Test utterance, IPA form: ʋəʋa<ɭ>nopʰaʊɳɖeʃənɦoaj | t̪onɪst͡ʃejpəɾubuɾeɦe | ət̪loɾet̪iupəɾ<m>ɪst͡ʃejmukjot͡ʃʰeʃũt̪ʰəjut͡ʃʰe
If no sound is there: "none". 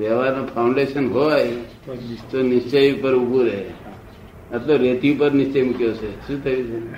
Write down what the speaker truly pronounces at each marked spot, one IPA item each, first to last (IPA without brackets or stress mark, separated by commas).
ɾ, n